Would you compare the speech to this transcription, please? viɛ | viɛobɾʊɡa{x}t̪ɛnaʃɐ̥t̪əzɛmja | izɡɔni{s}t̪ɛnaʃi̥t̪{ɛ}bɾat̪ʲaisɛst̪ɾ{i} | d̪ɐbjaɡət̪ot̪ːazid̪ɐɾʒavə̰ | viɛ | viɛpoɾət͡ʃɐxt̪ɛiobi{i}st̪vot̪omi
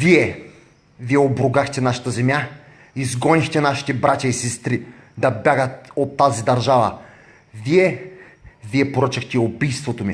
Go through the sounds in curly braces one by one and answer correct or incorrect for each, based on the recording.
correct, incorrect: x, correct, correct, incorrect: j

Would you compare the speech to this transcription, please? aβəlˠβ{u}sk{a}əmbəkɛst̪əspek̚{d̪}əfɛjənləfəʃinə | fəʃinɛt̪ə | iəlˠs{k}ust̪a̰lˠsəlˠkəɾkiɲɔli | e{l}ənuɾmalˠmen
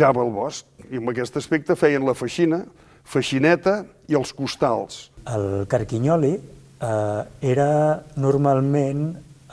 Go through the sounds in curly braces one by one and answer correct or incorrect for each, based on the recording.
incorrect: ɔ, incorrect: i, incorrect: t̪, correct, incorrect: ɾ

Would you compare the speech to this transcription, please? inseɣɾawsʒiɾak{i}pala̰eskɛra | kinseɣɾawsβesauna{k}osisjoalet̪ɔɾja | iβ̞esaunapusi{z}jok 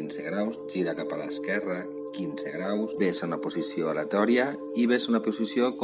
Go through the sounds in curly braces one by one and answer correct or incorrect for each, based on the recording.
incorrect: a, incorrect: p, incorrect: s

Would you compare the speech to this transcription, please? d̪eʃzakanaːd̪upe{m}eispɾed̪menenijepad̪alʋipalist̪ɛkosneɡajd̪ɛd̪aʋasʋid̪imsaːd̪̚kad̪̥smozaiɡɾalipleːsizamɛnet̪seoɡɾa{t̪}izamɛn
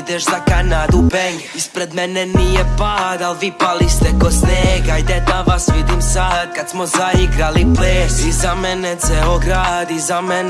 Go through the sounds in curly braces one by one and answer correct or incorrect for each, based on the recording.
incorrect: ɲ, incorrect: d̪

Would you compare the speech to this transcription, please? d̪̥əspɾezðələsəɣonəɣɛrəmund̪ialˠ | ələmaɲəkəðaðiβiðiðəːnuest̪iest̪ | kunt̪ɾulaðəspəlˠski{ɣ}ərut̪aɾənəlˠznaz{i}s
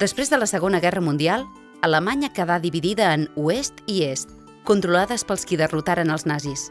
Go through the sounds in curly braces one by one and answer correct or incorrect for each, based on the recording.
incorrect: ð, correct

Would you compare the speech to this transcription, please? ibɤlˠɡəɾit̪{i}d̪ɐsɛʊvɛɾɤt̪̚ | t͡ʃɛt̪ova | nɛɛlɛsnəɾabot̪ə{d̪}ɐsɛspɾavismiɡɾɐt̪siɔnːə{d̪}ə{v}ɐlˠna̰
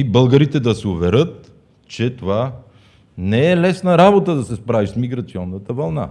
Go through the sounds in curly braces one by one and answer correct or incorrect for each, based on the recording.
incorrect: ɛ, correct, incorrect: t̪, correct

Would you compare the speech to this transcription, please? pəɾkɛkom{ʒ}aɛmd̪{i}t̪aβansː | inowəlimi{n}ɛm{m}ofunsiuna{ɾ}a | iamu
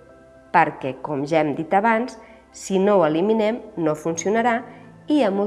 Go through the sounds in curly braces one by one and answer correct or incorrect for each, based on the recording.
correct, correct, correct, incorrect: n, correct

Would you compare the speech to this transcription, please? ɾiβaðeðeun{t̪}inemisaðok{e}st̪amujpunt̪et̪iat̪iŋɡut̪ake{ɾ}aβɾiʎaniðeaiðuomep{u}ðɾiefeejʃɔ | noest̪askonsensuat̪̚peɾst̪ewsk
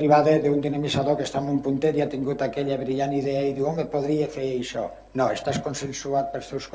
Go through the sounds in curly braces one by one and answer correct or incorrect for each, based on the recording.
incorrect: d̪, correct, incorrect: ʎ, incorrect: o

